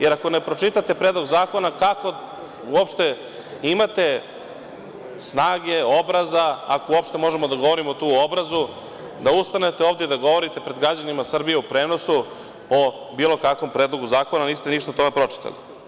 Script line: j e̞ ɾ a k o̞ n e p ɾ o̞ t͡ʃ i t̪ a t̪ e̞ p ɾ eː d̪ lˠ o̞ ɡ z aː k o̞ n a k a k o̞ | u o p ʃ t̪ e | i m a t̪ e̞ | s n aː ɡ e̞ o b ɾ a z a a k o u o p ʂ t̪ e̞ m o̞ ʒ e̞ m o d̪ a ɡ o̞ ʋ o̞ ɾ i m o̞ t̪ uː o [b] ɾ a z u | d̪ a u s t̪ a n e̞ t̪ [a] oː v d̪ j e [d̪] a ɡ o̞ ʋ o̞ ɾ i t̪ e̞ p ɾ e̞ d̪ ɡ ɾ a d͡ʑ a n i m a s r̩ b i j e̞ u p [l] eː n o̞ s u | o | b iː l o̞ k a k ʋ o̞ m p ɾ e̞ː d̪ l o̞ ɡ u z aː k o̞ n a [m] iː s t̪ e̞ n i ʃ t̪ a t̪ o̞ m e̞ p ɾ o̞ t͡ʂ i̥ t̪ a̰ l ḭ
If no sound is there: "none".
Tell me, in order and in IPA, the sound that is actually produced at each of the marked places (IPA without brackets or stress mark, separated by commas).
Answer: b, e, d̪, ɾ, n